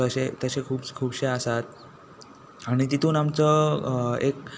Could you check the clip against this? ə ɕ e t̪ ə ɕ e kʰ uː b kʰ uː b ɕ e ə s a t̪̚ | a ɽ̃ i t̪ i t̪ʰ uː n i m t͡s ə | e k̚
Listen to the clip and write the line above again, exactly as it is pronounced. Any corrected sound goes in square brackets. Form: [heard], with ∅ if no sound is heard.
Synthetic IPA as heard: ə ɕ e t̪ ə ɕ e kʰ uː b kʰ uː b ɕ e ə s a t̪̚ | a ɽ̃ i t̪ i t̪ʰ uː n [a] m t͡s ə | e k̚